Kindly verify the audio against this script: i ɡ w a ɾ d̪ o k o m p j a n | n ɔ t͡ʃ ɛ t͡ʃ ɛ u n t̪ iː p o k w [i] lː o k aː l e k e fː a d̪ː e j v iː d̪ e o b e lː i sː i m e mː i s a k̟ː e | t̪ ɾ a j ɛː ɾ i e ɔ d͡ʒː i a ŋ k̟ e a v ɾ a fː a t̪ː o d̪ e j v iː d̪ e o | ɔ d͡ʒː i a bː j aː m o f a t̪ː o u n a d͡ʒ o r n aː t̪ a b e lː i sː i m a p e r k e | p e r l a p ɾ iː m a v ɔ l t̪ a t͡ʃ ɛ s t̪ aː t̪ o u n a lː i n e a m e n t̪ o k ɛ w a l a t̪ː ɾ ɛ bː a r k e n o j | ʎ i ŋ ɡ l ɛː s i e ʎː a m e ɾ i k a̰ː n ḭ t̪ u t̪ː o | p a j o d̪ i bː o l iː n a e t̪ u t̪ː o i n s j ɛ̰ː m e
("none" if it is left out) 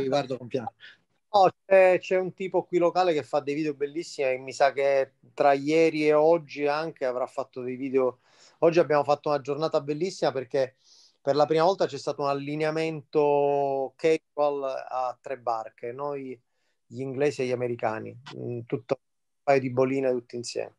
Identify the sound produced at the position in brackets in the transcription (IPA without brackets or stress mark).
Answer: i